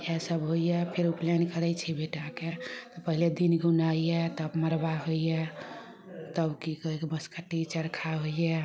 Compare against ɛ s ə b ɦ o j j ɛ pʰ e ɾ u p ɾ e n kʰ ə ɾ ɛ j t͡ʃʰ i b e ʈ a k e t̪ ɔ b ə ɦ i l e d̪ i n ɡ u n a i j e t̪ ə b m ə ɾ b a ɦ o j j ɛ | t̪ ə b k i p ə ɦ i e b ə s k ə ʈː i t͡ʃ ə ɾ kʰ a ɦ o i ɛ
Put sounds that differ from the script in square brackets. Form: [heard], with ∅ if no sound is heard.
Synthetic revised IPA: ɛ s ə b ɦ o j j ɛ pʰ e ɾ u p [l] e n [k] ə ɾ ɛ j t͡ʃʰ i b e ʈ a k e t̪ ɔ [p] ə ɦ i l e d̪ i n ɡ u n a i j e t̪ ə b m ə ɾ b a ɦ o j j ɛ | t̪ ə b k i [k] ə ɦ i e b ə s k ə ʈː i t͡ʃ ə ɾ kʰ a ɦ o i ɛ